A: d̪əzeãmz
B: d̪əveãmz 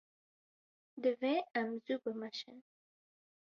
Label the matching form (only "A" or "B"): B